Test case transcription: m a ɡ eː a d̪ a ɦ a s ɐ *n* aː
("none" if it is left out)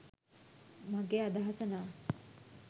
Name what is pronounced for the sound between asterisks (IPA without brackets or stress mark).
n